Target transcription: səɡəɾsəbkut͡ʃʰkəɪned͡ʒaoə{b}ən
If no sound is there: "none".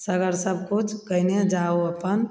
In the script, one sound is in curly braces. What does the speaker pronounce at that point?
p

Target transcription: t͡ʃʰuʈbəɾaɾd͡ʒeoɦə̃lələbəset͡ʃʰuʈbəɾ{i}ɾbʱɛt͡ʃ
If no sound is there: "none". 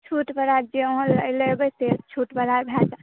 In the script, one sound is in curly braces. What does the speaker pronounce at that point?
a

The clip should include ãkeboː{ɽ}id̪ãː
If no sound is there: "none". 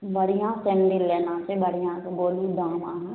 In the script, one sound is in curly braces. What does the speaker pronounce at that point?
l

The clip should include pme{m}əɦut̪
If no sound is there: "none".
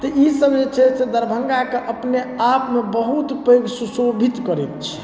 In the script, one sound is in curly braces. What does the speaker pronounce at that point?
b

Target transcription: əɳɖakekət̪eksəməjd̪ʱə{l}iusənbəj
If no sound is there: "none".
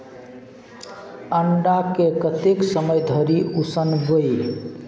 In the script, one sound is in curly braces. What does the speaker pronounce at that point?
ɾ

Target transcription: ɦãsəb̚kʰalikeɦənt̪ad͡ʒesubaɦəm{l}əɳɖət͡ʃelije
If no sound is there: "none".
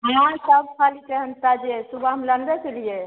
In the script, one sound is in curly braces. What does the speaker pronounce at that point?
l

